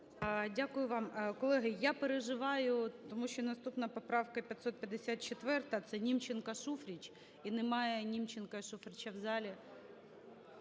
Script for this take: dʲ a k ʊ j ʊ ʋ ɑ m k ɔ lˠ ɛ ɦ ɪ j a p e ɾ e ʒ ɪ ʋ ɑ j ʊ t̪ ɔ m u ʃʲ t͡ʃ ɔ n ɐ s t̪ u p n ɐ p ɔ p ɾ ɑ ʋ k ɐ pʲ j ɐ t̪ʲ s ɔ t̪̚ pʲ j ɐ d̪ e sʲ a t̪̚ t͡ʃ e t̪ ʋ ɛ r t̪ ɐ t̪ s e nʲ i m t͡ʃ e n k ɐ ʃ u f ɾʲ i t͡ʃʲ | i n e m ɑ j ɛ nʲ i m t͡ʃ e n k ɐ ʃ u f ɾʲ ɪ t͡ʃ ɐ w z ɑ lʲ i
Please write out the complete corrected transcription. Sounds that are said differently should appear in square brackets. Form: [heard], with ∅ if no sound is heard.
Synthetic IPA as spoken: dʲ a k ʊ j ʊ ʋ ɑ m k ɔ lˠ ɛ ɦ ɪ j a p e ɾ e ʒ ɪ ʋ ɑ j ʊ t̪ ɔ m u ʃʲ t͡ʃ ɔ n ɐ s t̪ u p n ɐ p ɔ p ɾ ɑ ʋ k ɐ pʲ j ɐ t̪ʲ s ɔ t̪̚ pʲ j ɐ d̪ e sʲ a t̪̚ t͡ʃ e t̪ ʋ ɛ r t̪ ɐ t̪ s [ɛ] nʲ i m t͡ʃ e n k ɐ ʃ u f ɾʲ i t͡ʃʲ | i n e m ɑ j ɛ nʲ i m t͡ʃ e n k ɐ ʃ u f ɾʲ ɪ t͡ʃ ɐ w z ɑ lʲ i